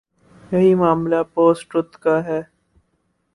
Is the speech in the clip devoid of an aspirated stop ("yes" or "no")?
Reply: yes